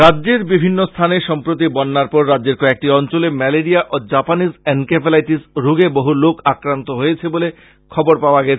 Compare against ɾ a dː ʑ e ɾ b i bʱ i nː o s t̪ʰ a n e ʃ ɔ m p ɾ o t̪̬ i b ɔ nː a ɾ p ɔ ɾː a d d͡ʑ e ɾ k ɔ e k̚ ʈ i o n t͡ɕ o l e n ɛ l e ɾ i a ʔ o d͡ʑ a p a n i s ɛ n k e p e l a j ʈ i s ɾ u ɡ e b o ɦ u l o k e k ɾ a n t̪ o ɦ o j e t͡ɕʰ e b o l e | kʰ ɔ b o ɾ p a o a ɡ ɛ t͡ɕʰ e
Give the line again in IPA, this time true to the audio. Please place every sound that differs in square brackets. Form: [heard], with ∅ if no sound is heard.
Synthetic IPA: ɾ a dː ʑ e ɾ b i bʱ i nː o s t̪ʰ a n e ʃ ɔ m p ɾ o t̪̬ i b ɔ nː a ɾ p ɔ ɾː a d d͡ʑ e ɾ k ɔ e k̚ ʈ i [ɔ] n t͡ɕ o l e [m] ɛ l e ɾ i a ʔ o d͡ʑ a p a n i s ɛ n k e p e l a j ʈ i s ɾ u ɡ e b o ɦ u l o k [a] k ɾ a n t̪ o ɦ o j e t͡ɕʰ e b o l e | kʰ ɔ b o ɾ p a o a ɡ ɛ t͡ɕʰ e